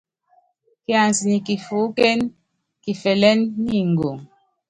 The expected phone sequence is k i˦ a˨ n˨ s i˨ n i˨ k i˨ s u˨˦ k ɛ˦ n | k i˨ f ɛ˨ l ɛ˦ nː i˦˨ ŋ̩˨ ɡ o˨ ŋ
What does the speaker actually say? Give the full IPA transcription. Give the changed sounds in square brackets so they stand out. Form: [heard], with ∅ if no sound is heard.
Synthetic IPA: k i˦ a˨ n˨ s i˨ n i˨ k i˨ [f] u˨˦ k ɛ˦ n | k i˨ f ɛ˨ l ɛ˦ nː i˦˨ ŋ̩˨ ɡ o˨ ŋ